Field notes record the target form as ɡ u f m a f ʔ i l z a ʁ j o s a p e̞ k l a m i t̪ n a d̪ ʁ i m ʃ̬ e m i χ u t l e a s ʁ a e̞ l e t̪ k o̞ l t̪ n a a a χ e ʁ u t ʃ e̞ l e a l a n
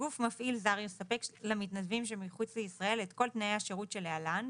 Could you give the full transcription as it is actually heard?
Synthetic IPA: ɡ u f m a f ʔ i l z a ʁ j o s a p e̞ k l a m i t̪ n a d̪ v i m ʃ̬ e m i χ u t͡s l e i s ʁ a e̞ l e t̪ k o̞ l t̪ n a e a ʃ e ʁ u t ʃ e̞ l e a l a n